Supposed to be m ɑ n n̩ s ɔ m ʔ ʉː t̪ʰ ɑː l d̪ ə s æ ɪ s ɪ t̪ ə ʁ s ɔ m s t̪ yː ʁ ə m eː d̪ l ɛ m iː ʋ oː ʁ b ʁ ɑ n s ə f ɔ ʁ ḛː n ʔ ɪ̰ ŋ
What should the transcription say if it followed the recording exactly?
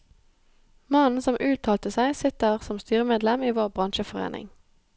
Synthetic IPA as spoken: m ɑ n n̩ s ɔ m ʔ ʉː t̪ʰ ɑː l t̪ ə s æ ɪ s ɪ t̪ ə ʁ s ɔ m s t̪ yː ʁ ə m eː d̪ l ɛ m iː ʋ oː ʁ b ʁ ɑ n ʃ ə f ɔ ʁ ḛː n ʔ ɪ̰ ŋ

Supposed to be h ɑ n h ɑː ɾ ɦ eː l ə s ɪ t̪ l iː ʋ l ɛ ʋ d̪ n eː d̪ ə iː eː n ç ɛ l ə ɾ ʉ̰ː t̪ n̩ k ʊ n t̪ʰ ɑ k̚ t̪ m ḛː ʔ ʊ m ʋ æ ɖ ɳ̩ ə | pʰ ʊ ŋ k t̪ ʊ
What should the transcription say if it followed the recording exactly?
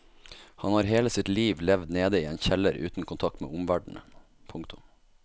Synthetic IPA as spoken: h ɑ n h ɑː ɾ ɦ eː l ə s ɪ t̪ l iː ʋ l ɛ ʋ d̪ n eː d̪ ə iː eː n ç ɛ l ə ɾ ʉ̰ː t̪ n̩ k ʊ n t̪ʰ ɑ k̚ t̪ m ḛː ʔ ʊ m ʋ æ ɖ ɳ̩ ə | pʰ ʊ ŋ k t̪ ʊ

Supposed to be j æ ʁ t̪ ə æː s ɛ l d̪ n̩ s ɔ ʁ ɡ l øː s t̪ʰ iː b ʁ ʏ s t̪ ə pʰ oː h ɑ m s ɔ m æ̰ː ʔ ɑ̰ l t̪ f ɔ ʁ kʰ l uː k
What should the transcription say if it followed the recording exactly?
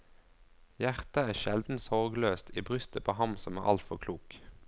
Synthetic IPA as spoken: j æ ʁ t̪ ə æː ʃ ɛ l d̪ n̩ s ɔ ʁ ɡ l øː s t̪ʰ iː b ʁ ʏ s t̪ ə pʰ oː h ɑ m s ɔ m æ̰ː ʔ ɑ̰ l t̪ f ɔ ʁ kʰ l uː k

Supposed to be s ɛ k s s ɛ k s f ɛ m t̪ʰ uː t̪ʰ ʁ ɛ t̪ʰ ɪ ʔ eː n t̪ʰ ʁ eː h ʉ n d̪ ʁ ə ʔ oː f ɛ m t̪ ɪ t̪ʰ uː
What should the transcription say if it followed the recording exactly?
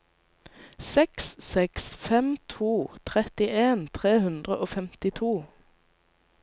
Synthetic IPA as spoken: s ɛ k s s ɛ k s f ɛ m t̪ʰ uː t̪ʰ ʁ ɛ t̪ ɪ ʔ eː n t̪ʰ ʁ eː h ʉ n d̪ ʁ ə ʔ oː f ɛ m t̪ ɪ t̪ʰ uː

